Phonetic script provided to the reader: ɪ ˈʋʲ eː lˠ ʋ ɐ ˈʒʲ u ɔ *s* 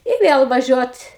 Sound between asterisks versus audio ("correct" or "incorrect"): incorrect